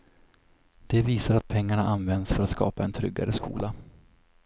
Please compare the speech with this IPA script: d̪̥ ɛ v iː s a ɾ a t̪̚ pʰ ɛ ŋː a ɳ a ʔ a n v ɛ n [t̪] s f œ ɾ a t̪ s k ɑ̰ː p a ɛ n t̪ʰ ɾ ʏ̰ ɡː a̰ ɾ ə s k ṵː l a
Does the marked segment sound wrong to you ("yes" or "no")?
yes